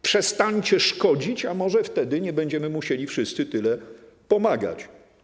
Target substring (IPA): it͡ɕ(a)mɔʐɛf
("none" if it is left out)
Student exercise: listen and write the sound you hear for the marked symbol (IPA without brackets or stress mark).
a